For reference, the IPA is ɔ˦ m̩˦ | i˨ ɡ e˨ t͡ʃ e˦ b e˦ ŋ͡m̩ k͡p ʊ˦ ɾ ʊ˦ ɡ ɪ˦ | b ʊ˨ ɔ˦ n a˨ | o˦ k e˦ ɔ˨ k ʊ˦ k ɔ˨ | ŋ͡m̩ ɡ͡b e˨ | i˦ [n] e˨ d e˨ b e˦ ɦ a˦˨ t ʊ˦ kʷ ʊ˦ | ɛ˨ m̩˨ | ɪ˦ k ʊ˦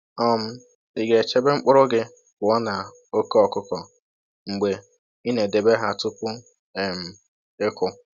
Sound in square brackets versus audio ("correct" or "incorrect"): correct